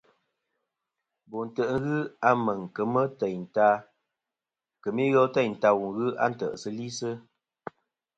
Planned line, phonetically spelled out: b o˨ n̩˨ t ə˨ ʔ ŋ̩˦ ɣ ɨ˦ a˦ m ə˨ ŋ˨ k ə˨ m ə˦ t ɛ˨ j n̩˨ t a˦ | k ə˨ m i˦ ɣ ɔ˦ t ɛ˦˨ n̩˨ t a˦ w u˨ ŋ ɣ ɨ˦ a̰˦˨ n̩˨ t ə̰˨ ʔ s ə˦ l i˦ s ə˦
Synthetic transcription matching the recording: b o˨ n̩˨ t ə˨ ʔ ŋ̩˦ ɣ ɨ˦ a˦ m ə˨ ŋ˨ k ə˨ m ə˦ t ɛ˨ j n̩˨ t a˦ | k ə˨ m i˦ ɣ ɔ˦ t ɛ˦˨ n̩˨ t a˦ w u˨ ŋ ɣ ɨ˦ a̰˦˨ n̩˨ t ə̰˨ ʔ s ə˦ l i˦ s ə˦